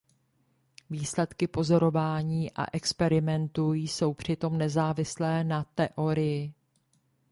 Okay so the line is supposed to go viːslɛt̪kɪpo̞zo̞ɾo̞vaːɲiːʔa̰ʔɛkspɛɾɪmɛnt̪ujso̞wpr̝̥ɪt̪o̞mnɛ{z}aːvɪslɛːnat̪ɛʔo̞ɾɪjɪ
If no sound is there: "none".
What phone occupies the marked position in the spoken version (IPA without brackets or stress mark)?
z